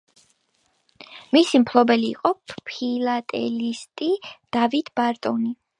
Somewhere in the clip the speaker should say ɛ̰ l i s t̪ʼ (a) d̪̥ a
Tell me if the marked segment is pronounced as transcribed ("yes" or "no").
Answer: no